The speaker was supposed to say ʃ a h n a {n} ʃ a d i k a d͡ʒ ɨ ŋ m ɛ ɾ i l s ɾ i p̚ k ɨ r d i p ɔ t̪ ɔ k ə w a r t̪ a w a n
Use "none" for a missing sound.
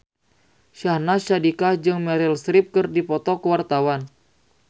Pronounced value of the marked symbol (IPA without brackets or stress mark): none